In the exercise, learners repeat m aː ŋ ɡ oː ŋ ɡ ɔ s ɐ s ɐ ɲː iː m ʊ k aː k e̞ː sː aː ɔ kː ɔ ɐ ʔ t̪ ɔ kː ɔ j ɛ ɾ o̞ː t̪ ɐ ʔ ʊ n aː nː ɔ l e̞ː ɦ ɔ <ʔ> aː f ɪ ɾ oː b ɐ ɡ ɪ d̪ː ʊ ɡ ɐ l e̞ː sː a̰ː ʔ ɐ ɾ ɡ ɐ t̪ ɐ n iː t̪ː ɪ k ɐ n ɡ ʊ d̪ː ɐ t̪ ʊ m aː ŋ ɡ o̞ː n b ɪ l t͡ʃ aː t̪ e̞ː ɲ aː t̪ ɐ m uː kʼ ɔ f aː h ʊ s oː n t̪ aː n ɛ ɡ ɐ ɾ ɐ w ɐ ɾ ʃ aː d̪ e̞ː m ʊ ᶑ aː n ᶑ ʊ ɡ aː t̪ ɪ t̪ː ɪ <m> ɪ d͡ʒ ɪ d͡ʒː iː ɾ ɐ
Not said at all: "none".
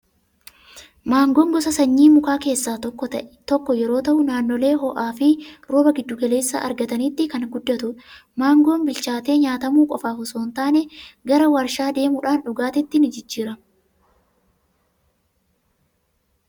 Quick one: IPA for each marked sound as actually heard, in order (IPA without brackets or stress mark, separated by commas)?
ʔ, n